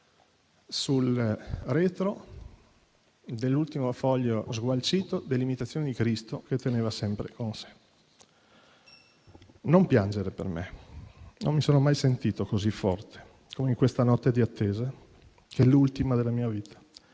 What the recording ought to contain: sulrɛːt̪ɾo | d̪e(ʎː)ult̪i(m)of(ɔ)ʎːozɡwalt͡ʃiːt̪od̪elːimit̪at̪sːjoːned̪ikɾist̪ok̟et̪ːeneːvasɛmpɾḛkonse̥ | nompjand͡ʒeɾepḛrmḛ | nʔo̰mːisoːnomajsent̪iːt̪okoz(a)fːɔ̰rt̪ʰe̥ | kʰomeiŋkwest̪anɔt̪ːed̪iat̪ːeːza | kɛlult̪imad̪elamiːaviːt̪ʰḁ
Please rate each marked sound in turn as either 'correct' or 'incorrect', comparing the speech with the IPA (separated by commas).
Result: incorrect, correct, correct, incorrect